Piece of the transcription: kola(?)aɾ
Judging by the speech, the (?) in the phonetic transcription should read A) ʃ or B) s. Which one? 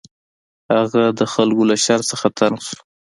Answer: A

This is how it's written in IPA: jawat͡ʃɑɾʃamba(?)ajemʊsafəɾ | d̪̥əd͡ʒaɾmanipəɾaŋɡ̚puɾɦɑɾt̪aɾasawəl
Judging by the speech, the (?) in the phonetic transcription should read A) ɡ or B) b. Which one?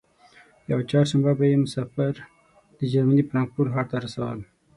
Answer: B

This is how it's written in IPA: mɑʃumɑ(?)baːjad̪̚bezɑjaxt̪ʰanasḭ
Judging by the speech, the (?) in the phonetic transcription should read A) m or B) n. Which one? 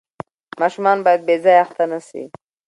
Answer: B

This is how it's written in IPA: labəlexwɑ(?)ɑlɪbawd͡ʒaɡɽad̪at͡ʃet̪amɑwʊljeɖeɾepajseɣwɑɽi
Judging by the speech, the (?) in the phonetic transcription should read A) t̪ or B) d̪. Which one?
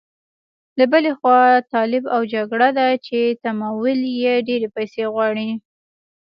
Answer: A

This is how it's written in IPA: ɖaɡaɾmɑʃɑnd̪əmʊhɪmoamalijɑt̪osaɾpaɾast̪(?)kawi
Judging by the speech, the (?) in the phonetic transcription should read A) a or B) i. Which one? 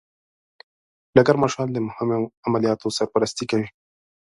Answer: B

